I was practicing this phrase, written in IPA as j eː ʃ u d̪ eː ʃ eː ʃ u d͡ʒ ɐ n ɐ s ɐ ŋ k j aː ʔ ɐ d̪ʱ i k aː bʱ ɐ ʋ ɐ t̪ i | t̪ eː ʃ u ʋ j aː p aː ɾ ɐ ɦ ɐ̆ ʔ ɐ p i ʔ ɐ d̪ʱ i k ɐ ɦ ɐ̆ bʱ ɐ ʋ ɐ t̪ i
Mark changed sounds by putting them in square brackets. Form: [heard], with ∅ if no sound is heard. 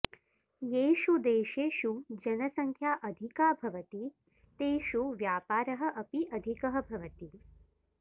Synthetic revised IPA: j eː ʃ u d̪ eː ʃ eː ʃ u d͡ʒ ɐ n ɐ s ɐ ŋ [kʰ] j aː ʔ ɐ d̪ʱ i k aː bʱ ɐ ʋ ɐ t̪ i | t̪ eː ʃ u ʋ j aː p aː ɾ ɐ ɦ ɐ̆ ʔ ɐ p i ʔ ɐ d̪ʱ i k ɐ ɦ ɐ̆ bʱ ɐ ʋ ɐ t̪ i